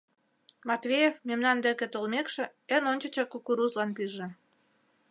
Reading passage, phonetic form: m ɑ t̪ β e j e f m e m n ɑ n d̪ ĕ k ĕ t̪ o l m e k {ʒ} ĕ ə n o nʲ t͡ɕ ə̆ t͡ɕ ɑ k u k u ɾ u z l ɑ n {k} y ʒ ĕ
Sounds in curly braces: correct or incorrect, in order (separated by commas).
incorrect, incorrect